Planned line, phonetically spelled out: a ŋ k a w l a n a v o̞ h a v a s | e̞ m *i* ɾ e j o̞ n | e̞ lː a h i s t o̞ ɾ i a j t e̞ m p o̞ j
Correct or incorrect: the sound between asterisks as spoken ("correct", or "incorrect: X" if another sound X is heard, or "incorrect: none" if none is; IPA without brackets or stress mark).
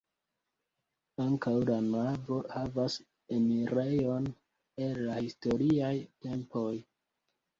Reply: correct